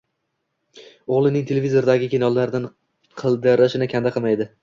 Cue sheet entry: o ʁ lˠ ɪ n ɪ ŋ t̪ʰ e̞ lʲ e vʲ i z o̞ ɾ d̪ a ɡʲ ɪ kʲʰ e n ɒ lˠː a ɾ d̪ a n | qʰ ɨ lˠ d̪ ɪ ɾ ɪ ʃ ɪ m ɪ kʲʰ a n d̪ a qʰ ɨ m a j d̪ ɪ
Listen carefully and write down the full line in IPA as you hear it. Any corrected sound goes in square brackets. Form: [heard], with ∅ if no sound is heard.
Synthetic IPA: o ʁ lˠ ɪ n ɪ ŋ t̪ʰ e̞ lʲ e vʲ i z o̞ ɾ d̪ a ɡʲ ɪ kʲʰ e n ɒ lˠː a ɾ d̪ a n | qʰ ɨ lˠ d̪ ɪ ɾ ɪ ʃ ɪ [n] ɪ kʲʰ a n d̪ a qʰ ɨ m a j d̪ ɪ